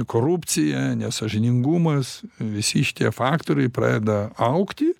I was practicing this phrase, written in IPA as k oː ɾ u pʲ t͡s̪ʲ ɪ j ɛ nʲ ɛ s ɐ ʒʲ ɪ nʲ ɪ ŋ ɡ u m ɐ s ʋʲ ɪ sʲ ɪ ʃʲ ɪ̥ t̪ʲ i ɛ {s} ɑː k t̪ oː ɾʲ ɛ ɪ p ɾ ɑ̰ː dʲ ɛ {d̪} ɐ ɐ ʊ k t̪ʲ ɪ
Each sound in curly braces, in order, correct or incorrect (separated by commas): incorrect, correct